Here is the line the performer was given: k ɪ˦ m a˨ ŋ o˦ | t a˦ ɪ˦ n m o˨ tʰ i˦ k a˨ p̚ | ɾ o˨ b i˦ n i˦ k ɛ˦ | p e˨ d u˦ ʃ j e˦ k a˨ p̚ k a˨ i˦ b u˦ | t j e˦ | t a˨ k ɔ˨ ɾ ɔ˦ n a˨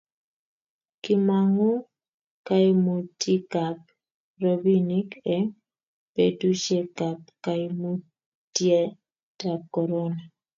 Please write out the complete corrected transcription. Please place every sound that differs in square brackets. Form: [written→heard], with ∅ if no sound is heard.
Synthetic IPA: k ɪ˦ m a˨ ŋ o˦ | [t→k] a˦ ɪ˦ [n→∅] m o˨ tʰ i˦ k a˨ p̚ | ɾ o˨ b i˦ n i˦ k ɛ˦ | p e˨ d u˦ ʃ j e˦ k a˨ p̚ k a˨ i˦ [b→m] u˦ | t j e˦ | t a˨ k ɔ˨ ɾ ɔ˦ n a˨